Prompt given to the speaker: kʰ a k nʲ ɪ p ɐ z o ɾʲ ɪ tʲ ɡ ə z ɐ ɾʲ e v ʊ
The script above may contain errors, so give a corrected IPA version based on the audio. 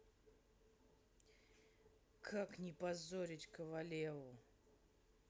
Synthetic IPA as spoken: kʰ a k nʲ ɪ p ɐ z o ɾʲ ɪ tʲ k ə v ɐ lʲ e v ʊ